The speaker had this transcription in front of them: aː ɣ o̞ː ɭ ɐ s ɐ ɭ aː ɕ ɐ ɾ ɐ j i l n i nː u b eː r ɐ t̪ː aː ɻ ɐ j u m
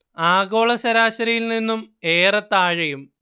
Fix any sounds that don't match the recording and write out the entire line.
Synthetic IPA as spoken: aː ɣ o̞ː ɭ ɐ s ɐ ɾ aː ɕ ɐ ɾ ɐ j i l n i nː u m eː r ɐ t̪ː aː ɻ ɐ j u m